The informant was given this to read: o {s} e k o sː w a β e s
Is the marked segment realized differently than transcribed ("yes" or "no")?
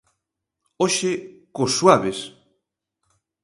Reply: yes